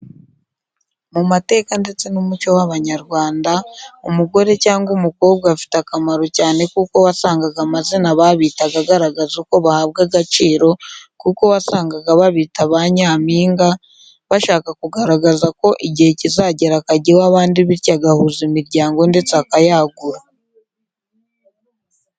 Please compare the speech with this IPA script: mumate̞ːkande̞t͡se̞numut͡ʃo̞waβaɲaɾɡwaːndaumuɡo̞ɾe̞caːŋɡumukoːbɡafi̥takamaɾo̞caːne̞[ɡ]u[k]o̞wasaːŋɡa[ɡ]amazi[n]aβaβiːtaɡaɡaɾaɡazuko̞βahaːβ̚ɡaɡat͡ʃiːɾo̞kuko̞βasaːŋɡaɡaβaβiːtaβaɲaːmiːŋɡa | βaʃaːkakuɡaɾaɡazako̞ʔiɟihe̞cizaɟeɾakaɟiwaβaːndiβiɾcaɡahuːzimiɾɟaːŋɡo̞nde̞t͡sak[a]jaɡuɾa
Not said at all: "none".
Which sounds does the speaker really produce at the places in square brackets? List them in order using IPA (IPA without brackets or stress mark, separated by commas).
k, k, ɡ, n, a